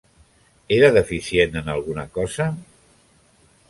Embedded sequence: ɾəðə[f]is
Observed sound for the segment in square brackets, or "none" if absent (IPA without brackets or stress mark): f